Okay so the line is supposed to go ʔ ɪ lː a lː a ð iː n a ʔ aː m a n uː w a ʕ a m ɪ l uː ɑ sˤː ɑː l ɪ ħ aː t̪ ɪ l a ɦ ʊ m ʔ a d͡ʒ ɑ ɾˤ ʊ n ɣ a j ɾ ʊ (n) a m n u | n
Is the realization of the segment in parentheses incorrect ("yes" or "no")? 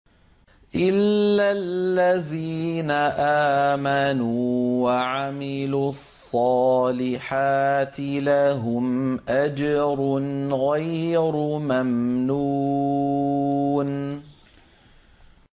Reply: yes